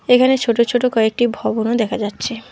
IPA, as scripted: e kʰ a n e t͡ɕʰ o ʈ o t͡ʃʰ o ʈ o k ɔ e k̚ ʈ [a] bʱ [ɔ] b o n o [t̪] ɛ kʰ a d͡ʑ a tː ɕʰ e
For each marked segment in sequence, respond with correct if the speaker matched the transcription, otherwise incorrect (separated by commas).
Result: incorrect, correct, incorrect